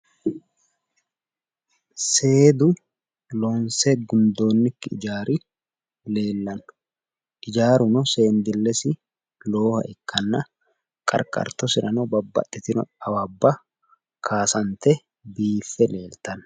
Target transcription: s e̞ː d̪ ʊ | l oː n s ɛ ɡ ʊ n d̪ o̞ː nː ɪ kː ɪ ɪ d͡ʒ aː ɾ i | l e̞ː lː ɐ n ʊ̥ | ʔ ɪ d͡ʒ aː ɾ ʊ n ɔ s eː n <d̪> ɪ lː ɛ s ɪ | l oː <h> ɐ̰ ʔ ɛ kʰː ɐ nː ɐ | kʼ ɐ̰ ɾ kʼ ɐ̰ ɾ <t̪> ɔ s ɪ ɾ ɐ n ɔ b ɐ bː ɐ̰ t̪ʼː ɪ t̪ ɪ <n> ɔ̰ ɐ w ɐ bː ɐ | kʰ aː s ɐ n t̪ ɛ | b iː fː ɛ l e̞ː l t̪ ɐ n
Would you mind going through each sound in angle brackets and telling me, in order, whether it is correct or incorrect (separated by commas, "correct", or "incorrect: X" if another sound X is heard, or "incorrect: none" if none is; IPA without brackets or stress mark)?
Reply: correct, correct, correct, correct